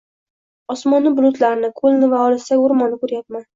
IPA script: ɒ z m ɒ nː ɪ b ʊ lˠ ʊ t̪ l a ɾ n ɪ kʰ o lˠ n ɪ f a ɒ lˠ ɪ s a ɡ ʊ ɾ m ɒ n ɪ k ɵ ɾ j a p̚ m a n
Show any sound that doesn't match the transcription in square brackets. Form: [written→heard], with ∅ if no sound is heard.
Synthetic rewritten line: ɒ [z→s] m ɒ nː ɪ b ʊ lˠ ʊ t̪ l a ɾ n ɪ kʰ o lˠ n ɪ [f→v] a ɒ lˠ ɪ s a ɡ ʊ ɾ m ɒ n ɪ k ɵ ɾ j a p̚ m a n